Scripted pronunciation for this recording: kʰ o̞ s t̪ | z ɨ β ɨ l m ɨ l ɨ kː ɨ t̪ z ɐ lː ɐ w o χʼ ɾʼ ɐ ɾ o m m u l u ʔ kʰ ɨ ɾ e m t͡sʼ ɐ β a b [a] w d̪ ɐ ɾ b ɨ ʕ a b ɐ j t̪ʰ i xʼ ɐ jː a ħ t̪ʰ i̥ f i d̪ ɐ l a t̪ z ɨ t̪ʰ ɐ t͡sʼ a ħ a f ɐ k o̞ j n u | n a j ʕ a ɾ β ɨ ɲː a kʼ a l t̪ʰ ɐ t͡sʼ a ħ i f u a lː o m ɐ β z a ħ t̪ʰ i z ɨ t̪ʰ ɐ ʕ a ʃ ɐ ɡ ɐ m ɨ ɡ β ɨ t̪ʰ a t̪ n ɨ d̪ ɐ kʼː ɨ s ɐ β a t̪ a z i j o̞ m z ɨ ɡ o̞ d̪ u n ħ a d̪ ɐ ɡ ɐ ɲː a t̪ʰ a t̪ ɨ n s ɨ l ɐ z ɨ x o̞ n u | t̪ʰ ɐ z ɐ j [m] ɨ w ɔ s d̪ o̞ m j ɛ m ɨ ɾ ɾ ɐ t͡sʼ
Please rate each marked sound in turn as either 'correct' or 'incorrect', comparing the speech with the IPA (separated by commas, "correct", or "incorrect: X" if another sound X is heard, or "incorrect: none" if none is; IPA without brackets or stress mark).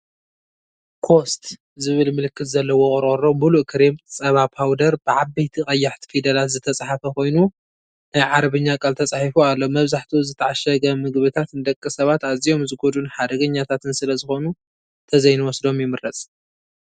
correct, incorrect: n